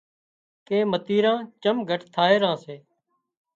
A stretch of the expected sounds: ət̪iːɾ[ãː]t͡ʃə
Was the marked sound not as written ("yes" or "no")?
no